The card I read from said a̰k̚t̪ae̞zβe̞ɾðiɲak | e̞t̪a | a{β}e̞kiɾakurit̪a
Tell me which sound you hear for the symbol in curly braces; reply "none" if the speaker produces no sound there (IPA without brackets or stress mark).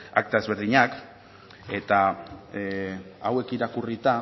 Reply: w